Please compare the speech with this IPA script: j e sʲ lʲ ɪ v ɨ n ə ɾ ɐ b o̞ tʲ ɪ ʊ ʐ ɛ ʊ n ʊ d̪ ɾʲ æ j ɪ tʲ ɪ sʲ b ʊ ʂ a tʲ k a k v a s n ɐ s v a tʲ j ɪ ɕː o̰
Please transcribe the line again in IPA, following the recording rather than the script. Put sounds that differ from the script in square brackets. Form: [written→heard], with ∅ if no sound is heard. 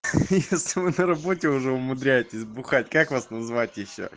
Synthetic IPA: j e sʲ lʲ ɪ v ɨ n ə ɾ ɐ b o̞ tʲ ɪ ʊ ʐ ɛ ʊ [n→m] ʊ d̪ ɾʲ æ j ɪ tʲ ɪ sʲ b ʊ [ʂ→x] a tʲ k a k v a s n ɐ [s→z] v a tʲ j ɪ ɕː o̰